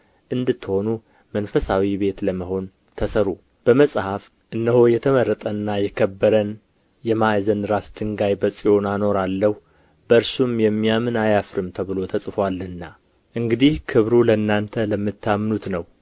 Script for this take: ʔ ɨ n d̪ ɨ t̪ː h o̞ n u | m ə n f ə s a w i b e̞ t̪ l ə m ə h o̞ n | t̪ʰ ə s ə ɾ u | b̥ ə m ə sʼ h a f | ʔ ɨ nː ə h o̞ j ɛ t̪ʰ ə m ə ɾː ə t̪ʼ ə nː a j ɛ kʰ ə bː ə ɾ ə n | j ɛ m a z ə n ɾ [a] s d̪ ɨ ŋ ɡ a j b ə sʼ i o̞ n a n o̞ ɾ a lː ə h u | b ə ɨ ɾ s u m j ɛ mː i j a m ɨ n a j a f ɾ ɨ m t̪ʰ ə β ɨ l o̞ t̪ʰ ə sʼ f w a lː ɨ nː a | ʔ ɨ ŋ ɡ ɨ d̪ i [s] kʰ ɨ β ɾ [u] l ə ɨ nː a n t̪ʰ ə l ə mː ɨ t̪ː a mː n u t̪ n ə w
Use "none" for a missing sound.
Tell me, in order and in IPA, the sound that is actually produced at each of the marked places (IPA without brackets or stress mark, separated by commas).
a, h, u